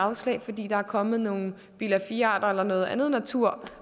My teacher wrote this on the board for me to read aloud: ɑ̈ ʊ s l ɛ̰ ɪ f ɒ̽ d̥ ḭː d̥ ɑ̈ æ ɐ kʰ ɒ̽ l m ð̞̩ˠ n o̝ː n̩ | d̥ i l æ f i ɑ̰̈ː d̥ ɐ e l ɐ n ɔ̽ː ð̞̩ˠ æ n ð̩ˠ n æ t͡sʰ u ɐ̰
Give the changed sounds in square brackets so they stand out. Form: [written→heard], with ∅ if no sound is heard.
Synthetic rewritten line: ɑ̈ ʊ s l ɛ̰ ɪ f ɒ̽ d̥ ḭː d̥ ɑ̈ æ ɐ kʰ ɒ̽ [l→∅] m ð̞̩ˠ n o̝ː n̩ | [d̥→b̥] i l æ f i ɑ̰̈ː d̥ ɐ e l ɐ n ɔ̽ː ð̞̩ˠ æ n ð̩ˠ n æ t͡sʰ u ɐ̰